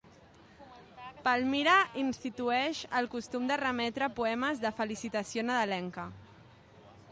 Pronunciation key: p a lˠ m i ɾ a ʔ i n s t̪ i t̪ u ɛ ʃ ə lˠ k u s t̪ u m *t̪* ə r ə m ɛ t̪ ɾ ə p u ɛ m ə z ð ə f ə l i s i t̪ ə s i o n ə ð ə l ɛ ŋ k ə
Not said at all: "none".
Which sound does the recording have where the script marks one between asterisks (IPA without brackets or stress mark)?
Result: d̪